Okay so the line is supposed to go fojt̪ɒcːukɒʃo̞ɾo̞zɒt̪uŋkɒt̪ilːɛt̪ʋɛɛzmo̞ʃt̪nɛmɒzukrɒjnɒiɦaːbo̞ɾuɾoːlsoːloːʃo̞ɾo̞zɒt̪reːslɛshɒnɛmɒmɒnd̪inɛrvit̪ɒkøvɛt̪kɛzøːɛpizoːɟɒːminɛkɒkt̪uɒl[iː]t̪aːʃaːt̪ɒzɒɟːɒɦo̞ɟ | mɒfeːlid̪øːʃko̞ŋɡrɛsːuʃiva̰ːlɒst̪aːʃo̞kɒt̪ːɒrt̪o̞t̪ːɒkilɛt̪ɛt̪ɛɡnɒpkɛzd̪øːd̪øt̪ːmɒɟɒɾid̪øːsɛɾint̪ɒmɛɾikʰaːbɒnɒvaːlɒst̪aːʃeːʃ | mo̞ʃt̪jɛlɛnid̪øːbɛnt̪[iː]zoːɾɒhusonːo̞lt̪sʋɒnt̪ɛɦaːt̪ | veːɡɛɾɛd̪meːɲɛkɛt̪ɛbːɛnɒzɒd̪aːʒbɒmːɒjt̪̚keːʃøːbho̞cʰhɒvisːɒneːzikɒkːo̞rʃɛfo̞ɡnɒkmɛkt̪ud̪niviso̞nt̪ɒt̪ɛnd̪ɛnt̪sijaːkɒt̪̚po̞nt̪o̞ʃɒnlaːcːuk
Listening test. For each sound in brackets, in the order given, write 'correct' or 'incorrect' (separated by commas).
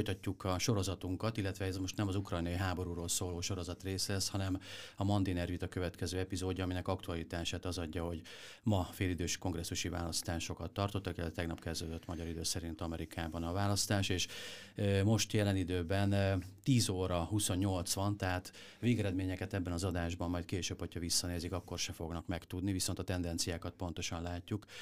incorrect, correct